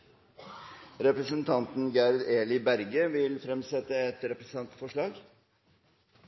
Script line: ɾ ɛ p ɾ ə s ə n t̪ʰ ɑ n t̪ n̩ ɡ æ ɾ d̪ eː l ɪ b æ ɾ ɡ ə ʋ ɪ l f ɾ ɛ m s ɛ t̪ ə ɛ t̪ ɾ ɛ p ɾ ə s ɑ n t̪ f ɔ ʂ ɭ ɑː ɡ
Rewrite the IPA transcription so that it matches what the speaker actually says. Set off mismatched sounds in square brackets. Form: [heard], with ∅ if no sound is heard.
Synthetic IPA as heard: ɾ ɛ p ɾ ə s ə n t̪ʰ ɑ n t̪ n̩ ɡ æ ɾ d̪ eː l ɪ b æ ɾ ɡ ə ʋ ɪ l f ɾ ɛ m s ɛ t̪ ə ɛ t̪ ɾ ɛ p ɾ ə s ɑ n t̪ f ɔ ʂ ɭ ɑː ɡ